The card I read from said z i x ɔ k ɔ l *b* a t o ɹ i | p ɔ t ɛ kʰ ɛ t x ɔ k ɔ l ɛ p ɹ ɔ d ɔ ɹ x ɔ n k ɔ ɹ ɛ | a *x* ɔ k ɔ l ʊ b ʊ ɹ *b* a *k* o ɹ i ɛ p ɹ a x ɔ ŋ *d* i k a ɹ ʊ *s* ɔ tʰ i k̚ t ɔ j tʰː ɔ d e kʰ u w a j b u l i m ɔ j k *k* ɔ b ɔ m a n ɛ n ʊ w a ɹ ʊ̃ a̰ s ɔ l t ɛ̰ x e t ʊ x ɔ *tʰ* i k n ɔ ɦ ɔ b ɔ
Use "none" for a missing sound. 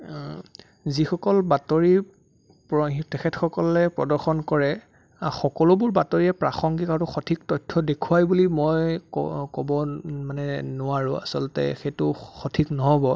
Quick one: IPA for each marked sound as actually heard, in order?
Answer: b, x, b, t, ɡ, x, k, tʰ

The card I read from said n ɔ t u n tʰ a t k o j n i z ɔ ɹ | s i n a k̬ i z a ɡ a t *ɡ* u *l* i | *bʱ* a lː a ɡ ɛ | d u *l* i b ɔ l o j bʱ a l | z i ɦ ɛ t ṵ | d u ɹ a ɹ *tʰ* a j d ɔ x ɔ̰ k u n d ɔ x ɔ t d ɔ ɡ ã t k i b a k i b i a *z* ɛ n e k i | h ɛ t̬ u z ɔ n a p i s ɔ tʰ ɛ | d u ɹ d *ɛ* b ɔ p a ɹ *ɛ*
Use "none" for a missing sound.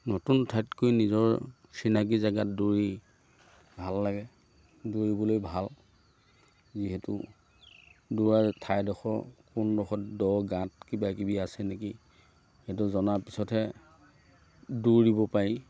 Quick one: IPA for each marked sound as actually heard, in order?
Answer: d, ɹ, bʱ, ɹ, tʰ, s, i, i

